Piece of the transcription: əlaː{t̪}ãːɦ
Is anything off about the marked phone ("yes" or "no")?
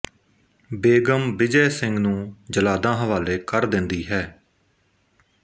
yes